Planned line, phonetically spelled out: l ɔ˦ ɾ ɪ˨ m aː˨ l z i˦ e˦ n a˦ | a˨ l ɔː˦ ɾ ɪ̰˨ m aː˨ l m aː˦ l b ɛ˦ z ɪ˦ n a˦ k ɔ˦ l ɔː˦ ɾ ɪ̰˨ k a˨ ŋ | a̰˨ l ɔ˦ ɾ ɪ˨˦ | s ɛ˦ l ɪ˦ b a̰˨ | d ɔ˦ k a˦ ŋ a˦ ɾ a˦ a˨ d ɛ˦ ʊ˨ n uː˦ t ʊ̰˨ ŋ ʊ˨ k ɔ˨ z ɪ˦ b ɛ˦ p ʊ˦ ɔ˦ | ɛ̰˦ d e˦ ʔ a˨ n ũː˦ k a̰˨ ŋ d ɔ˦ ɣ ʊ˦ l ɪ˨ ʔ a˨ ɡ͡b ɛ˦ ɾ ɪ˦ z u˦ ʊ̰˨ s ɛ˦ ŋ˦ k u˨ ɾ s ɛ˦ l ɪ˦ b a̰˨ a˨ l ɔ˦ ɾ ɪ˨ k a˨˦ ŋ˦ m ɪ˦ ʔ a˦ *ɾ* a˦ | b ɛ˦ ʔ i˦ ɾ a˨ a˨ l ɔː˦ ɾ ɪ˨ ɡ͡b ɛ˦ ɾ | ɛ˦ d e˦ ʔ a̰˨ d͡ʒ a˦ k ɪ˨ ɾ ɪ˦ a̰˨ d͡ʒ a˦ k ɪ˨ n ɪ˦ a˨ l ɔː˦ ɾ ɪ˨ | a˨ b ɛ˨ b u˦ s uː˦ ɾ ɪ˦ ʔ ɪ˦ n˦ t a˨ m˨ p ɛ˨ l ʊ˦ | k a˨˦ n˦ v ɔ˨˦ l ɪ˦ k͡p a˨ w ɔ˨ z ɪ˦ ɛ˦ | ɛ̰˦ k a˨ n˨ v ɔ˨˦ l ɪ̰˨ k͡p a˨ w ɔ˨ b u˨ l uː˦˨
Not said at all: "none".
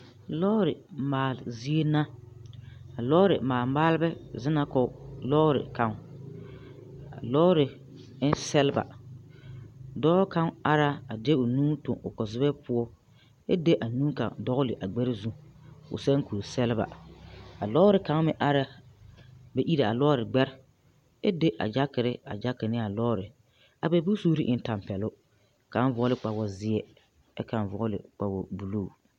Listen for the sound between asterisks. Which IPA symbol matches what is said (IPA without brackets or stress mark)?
ɾ